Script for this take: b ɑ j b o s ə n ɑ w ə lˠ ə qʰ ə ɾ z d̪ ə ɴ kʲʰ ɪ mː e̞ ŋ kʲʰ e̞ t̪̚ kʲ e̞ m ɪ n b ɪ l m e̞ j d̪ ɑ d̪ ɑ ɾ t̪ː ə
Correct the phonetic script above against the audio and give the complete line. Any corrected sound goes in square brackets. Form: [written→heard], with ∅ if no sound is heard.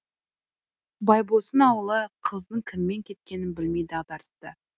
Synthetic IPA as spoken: b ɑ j b o s ə n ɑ w ə lˠ ə qʰ ə [ɾ→∅] z d̪ ə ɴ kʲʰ ɪ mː e̞ ŋ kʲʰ e̞ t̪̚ kʲ e̞ [m→n] ɪ n b ɪ l m e̞ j d̪ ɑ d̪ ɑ ɾ t̪ː ə